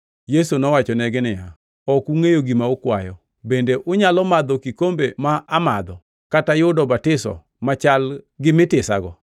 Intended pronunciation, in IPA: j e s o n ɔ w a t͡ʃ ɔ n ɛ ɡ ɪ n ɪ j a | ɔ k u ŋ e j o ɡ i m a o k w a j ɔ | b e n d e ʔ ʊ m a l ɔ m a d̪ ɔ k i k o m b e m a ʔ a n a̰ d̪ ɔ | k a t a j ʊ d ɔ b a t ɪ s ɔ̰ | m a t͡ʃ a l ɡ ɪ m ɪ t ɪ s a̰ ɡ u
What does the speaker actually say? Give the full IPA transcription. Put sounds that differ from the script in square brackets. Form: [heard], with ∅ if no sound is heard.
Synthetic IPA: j e s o n ɔ w a t͡ʃ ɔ n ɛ ɡ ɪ n ɪ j a | ɔ k u ŋ e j o ɡ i m a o k w a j ɔ | b e n d e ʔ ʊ [ɲ] a l ɔ m a d̪ ɔ k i k o m b e m a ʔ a [m] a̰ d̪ ɔ | k a t a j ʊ d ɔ b a t ɪ s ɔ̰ | m a t͡ʃ a l ɡ ɪ m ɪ t ɪ s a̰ ɡ [ɔ]